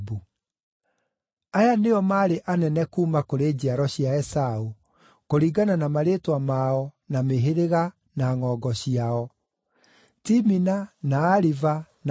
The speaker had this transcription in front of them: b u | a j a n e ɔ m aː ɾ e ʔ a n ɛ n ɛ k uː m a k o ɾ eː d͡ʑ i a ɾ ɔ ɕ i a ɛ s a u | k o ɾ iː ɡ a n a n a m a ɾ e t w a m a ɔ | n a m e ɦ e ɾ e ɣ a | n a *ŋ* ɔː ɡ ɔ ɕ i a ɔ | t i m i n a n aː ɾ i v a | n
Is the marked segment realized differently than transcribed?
no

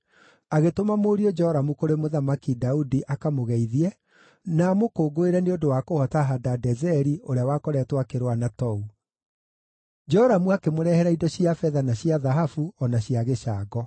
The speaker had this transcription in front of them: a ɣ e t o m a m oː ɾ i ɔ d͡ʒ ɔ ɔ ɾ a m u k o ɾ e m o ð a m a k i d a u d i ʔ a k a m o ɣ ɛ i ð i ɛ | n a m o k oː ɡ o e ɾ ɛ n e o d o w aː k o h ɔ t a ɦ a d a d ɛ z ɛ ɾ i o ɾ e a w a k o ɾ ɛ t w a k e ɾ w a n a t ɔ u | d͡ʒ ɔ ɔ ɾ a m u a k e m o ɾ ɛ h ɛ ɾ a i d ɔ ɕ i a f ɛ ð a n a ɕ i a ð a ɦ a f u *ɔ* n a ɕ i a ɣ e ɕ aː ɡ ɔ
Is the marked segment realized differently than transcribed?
no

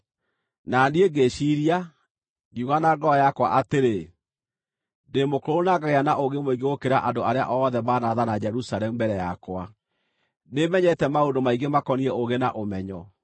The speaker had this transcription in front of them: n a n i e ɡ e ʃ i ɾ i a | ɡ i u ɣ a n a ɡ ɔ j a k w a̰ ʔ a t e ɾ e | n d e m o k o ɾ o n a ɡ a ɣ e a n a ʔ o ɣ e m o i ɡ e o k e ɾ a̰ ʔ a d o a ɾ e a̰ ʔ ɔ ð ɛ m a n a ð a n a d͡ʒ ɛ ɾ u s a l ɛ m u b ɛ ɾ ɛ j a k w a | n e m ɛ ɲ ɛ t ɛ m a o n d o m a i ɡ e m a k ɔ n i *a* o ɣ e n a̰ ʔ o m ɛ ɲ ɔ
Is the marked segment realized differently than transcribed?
yes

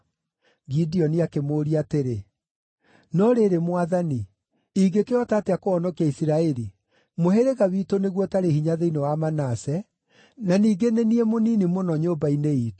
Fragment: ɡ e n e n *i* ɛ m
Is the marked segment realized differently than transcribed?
no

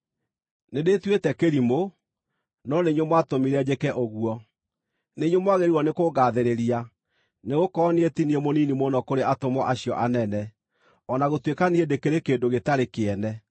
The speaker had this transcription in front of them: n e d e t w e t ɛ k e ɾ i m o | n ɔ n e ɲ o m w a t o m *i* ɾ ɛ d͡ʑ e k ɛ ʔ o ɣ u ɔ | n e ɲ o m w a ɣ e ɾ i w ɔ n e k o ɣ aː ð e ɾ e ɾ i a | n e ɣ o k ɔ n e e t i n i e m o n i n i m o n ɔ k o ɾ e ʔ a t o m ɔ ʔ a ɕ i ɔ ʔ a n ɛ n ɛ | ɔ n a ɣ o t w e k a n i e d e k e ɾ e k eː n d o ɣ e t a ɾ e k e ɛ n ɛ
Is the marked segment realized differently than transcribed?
no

